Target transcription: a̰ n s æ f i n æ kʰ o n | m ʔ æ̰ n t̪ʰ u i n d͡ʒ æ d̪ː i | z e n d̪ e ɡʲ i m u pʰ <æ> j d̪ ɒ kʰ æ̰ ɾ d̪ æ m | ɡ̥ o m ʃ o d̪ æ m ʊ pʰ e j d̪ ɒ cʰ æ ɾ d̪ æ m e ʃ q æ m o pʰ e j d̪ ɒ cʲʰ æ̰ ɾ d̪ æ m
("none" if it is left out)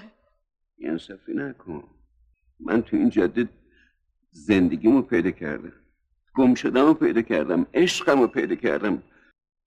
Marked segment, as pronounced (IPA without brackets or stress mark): e